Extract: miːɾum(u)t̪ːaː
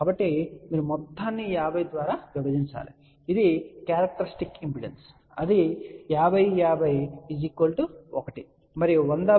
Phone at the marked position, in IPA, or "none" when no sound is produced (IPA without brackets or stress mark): ɔ